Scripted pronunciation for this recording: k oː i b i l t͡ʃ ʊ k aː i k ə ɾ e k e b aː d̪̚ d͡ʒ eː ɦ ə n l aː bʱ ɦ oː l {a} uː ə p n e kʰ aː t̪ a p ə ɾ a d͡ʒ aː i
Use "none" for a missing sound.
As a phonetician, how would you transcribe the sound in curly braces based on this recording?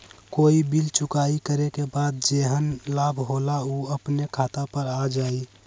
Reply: a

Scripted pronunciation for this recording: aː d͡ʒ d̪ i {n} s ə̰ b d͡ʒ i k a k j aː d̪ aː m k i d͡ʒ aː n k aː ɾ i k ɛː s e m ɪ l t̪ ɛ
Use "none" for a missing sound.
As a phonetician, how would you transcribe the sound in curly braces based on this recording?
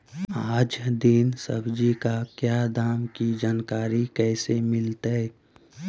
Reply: n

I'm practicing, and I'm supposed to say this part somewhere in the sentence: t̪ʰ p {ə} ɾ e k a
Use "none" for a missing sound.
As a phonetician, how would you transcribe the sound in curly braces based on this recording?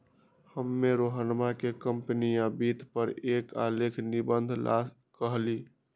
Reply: ə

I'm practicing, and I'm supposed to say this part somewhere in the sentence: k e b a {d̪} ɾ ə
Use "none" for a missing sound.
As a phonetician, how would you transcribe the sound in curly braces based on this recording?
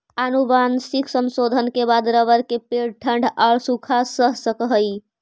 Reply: d̪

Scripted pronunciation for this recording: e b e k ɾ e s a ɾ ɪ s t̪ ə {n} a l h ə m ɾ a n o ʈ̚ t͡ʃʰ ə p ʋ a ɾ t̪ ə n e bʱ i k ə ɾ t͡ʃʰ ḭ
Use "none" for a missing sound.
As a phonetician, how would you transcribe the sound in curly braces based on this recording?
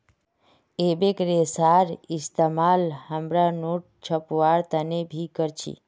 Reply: m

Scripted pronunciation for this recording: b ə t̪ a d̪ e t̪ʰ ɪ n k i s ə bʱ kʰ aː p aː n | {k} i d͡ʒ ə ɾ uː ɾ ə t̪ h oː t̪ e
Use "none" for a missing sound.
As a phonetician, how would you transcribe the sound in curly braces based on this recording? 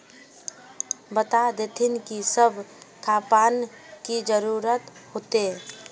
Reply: k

